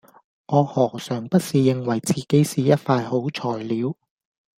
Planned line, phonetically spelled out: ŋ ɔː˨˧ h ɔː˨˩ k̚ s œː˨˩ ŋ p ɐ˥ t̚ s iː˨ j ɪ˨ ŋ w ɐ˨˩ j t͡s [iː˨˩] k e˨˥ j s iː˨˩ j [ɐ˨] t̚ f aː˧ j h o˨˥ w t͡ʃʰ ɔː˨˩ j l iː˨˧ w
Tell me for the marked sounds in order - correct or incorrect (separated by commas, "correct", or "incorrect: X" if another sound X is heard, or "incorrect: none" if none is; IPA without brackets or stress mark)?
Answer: correct, incorrect: ɐ˥